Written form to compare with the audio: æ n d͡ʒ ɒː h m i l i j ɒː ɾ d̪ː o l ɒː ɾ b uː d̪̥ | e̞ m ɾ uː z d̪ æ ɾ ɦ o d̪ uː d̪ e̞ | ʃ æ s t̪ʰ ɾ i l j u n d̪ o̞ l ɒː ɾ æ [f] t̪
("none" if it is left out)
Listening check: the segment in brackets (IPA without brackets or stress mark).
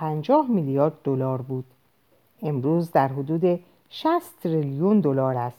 s